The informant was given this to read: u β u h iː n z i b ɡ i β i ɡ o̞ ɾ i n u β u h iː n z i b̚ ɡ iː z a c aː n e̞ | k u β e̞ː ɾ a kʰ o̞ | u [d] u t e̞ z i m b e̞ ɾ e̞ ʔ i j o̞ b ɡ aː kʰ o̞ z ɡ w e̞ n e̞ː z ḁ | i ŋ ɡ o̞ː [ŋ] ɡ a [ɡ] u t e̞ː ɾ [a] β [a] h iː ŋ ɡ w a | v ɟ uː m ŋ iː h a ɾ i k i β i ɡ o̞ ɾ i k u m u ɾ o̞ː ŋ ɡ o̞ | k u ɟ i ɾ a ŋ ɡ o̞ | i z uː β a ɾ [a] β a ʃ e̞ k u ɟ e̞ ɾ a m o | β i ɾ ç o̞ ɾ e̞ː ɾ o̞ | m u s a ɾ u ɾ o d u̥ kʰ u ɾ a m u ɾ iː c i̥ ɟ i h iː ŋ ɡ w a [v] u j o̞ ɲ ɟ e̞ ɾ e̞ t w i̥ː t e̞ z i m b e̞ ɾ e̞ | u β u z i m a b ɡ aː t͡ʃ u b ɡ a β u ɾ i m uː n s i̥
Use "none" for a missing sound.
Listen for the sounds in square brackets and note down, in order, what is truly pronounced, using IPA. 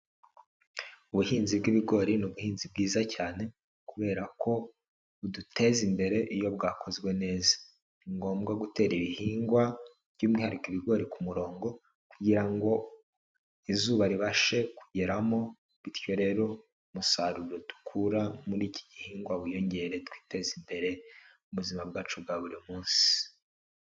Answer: d, m, ɡ, i, i, i, β

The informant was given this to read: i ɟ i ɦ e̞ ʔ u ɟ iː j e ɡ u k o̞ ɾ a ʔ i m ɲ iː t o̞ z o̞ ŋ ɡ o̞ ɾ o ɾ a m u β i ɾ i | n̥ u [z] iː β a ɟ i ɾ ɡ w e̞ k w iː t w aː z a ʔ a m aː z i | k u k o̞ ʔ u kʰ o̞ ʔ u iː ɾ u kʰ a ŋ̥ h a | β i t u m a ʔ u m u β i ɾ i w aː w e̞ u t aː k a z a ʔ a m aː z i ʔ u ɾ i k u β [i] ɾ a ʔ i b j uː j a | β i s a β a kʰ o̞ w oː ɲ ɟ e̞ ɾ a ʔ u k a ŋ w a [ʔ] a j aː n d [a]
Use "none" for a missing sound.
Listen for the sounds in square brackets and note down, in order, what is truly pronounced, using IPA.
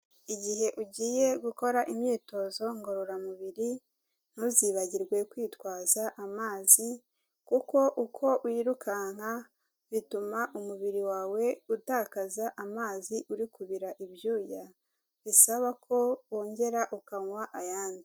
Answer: z, i, ʔ, i

